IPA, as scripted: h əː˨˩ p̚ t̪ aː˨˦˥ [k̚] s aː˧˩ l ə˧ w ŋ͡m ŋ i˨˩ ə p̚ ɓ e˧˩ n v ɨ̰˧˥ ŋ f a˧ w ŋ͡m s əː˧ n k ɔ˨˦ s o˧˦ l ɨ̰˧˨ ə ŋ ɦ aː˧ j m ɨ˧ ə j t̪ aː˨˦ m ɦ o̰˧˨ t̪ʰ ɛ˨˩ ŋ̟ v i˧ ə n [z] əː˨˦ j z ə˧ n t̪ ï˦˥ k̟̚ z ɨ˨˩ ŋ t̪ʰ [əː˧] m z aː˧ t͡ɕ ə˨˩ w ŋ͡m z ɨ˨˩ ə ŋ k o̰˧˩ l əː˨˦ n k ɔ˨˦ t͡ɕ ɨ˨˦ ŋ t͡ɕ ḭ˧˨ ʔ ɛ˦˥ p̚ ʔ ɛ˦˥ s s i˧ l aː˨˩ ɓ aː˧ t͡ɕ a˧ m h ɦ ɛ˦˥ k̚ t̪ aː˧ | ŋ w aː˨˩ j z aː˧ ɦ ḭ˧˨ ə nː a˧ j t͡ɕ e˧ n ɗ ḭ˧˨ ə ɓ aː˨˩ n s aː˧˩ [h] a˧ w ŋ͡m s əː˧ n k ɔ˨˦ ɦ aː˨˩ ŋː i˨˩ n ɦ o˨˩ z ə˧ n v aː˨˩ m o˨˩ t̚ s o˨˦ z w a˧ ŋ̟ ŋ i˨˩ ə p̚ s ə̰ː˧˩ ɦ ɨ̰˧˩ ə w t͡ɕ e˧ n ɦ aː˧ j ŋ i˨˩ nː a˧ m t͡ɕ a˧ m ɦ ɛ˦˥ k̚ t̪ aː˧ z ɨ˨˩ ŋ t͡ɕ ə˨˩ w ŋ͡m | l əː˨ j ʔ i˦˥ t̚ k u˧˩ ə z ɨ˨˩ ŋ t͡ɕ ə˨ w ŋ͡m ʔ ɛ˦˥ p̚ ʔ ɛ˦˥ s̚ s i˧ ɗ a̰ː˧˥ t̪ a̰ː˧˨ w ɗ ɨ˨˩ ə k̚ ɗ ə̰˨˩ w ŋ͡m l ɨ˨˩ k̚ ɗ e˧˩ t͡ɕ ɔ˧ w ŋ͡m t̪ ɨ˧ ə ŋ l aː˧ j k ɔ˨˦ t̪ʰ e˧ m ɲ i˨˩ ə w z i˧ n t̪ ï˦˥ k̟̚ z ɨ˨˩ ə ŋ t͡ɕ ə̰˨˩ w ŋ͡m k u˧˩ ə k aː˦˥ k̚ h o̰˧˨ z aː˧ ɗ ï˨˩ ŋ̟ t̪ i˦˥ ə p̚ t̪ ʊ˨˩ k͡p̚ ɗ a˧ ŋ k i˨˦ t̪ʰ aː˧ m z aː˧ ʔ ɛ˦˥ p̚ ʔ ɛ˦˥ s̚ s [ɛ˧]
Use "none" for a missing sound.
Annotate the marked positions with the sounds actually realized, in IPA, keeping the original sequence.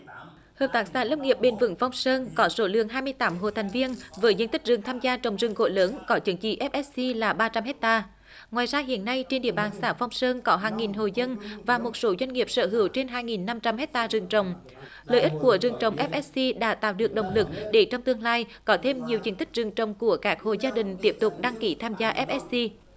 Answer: k̚, v, aː˧, f, i˧

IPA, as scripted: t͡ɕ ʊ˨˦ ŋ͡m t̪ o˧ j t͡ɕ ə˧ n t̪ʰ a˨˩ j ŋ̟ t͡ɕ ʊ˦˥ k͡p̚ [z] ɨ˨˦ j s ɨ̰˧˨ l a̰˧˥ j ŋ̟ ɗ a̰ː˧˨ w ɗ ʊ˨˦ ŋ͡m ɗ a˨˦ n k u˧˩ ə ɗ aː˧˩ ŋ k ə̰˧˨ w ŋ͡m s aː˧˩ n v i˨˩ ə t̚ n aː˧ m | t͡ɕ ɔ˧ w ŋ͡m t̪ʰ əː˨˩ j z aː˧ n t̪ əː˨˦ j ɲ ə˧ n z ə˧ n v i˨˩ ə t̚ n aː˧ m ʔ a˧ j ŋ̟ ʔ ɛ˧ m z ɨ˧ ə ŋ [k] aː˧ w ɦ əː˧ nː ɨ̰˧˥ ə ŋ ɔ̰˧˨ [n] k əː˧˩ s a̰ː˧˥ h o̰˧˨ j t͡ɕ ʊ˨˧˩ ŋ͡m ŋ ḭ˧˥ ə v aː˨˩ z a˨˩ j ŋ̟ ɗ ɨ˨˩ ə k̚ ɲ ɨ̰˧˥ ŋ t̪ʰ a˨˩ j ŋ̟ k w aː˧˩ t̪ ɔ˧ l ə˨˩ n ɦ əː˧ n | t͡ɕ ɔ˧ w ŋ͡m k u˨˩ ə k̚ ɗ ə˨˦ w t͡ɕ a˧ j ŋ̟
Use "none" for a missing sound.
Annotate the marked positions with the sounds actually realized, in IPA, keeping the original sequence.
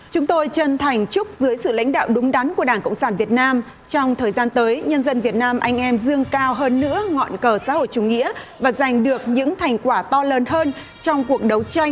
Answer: z, k, n

